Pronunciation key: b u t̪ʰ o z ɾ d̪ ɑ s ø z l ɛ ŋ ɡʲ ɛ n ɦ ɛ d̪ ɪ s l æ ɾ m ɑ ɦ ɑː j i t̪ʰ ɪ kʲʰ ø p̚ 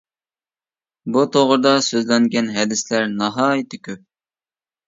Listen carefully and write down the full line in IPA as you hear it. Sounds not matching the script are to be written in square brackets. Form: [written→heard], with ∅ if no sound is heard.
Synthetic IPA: b u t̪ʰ o [z→ʁ] ɾ d̪ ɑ s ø z l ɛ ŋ ɡʲ ɛ n ɦ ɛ d̪ ɪ s l æ ɾ [m→n] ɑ ɦ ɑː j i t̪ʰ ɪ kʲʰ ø p̚